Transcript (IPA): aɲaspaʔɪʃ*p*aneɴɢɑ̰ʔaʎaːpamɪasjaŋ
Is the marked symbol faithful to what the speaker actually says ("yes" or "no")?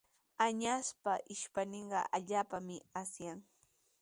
yes